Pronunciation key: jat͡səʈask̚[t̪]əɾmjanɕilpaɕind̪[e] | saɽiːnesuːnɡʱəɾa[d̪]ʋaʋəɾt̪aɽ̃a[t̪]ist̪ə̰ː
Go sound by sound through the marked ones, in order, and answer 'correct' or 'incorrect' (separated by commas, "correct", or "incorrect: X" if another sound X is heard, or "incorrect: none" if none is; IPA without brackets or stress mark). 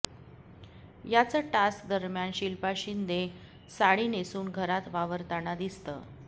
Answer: incorrect: d̪, correct, incorrect: t̪, incorrect: d̪